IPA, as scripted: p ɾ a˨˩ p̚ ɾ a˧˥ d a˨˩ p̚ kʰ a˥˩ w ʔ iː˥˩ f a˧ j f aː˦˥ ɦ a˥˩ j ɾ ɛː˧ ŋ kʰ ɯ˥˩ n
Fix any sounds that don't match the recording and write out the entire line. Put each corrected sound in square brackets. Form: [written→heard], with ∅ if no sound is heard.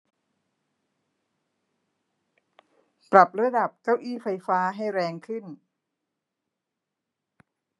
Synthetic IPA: p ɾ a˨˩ p̚ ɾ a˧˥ d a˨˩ p̚ [kʰ→k] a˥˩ w ʔ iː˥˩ f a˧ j f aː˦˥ ɦ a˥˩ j ɾ ɛː˧ ŋ kʰ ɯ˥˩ n